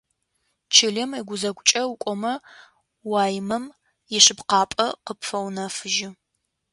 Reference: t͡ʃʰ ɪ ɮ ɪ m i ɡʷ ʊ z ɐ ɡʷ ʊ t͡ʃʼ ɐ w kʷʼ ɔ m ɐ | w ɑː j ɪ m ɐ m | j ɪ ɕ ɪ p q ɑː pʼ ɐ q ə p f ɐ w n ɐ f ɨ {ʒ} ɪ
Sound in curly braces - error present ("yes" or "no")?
no